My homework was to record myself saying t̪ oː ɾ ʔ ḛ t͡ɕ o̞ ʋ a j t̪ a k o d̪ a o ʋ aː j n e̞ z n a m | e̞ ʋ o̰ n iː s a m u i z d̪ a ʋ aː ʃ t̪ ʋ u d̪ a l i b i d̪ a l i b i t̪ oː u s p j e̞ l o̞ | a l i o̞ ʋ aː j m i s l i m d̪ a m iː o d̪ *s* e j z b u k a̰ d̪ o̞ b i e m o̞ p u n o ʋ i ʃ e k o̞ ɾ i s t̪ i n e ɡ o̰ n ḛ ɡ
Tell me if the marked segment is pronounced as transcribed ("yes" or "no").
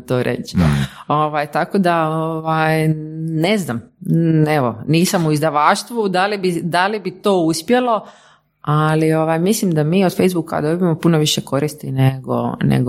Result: no